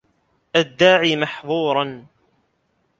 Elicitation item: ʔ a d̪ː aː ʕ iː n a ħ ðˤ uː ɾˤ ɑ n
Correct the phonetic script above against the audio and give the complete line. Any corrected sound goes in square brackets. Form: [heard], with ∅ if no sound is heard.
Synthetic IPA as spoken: ʔ a d̪ː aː ʕ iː [m] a ħ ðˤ uː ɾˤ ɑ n